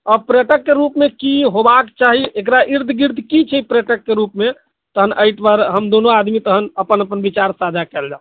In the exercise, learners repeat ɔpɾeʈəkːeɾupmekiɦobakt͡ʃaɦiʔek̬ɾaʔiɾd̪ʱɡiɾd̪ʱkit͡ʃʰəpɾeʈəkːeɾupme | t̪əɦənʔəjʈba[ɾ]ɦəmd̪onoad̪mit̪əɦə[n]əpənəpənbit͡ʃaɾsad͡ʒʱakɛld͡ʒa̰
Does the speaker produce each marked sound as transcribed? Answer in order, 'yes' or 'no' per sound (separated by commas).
yes, yes